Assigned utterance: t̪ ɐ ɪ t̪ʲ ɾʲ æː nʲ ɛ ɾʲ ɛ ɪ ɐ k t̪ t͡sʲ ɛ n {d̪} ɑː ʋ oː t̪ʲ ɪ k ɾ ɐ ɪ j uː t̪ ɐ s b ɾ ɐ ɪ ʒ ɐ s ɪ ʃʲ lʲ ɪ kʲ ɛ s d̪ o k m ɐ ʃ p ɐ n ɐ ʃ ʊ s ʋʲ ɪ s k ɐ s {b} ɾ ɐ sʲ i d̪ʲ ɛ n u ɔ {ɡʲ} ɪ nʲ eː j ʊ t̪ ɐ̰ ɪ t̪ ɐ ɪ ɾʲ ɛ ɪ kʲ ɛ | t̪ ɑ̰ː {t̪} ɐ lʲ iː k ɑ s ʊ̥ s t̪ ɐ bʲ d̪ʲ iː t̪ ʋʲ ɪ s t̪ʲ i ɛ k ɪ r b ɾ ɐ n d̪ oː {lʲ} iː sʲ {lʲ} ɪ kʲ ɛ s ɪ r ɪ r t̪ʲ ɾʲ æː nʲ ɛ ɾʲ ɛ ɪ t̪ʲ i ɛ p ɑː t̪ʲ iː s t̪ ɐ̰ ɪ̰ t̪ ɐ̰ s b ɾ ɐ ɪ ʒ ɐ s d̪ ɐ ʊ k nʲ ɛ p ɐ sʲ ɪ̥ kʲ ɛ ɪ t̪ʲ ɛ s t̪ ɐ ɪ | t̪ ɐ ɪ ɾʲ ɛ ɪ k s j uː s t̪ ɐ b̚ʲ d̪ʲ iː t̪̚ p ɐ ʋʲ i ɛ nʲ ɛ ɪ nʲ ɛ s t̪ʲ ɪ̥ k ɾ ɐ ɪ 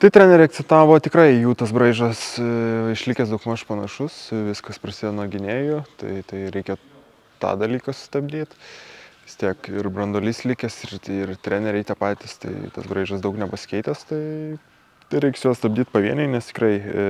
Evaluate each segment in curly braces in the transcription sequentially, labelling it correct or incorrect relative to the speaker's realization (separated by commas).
incorrect, incorrect, correct, incorrect, correct, correct